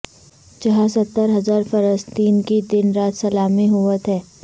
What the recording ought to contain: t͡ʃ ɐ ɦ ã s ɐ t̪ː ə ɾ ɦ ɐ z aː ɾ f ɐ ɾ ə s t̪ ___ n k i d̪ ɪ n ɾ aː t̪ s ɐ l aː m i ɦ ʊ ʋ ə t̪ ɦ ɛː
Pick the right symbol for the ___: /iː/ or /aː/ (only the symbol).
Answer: iː